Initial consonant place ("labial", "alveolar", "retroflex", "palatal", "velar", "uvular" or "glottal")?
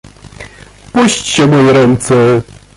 labial